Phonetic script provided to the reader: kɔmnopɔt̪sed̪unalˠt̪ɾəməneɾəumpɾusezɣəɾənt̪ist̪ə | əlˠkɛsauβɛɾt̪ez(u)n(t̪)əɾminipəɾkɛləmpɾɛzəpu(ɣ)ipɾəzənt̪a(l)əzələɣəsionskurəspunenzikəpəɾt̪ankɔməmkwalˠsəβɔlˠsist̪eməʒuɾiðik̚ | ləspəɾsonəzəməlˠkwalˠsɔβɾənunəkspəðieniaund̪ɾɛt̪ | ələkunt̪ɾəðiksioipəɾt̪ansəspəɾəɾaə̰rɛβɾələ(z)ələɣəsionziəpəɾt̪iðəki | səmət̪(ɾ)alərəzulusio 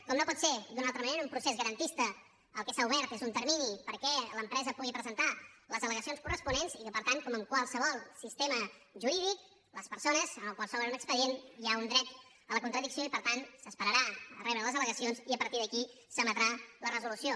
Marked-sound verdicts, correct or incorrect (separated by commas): correct, correct, correct, correct, correct, correct